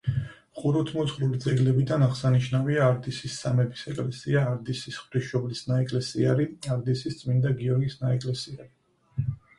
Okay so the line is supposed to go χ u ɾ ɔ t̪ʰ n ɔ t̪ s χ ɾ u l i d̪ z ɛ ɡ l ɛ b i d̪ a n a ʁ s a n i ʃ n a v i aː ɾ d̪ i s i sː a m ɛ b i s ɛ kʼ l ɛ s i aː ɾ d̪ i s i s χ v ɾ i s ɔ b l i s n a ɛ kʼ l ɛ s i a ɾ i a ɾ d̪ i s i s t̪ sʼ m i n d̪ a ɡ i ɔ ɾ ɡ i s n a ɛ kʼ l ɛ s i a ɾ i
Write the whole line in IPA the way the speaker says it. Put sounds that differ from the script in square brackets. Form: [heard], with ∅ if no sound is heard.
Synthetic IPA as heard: χ u ɾ ɔ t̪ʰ [m] ɔ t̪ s χ ɾ u l i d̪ z ɛ ɡ l ɛ b i d̪ a n a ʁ s a n i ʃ n a v i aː ɾ d̪ i s i sː a m ɛ b i s ɛ kʼ l ɛ s i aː ɾ d̪ i s i s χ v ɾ i [ʃ] ɔ b l i s n a ɛ kʼ l ɛ s i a ɾ i a ɾ d̪ i s i s t̪ sʼ m i n d̪ a ɡ i ɔ ɾ ɡ i s n a ɛ kʼ l ɛ s i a ɾ i